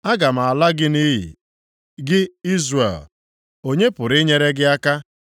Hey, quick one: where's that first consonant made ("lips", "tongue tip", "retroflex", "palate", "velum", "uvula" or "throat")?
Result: velum